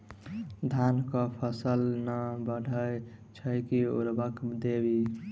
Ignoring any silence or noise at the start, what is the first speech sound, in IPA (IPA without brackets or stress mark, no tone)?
d̪ʱ